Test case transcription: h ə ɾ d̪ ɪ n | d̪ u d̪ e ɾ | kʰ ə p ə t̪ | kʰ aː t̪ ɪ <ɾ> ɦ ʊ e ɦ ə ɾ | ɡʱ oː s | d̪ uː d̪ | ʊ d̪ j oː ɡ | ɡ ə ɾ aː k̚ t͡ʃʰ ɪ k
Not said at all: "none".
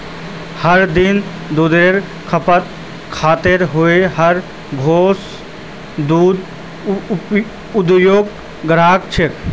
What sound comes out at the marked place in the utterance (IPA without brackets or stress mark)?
ɾ